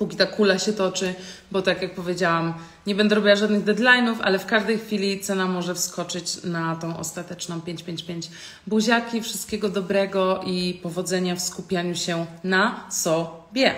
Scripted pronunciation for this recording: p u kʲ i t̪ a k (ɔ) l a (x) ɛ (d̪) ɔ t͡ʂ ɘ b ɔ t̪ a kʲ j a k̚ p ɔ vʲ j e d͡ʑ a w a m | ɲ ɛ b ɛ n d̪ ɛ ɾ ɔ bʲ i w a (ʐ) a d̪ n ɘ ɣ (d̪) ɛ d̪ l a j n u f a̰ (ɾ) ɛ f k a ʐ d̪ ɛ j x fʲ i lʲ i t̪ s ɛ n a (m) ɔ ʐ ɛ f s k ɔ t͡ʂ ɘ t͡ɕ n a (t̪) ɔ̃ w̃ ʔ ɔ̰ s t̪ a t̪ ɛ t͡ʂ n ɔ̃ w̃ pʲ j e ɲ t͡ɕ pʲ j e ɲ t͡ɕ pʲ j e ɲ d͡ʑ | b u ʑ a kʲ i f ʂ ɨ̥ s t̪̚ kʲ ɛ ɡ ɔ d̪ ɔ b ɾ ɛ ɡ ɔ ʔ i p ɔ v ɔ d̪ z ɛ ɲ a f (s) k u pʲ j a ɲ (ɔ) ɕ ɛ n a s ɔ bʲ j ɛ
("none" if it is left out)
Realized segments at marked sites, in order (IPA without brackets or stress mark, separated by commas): u, ɕ, t̪, ʐ, d̪, l, m, t̪, s, u